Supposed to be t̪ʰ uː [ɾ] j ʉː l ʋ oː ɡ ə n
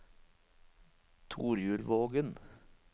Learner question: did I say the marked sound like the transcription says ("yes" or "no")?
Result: yes